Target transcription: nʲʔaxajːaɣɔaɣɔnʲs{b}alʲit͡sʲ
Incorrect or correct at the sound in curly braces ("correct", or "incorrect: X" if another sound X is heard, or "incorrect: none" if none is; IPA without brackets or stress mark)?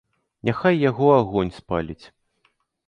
incorrect: p